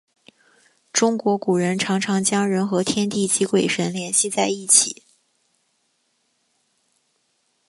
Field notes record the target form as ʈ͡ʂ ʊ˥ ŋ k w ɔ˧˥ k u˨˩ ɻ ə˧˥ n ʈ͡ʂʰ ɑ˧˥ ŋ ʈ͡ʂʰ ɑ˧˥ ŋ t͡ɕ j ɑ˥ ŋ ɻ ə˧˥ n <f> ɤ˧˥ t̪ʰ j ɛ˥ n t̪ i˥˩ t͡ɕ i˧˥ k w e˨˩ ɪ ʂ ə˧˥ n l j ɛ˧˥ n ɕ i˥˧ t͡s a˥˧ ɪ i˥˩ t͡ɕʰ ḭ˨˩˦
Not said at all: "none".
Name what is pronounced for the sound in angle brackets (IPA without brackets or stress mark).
x